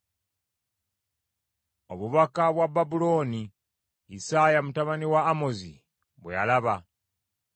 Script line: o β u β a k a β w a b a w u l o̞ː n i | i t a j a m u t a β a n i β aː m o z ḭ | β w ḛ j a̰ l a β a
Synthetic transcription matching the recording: o β u β a k a β w a b a b u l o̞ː n i | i s a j a m u t a β a n i w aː m o z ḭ | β w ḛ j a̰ l a β a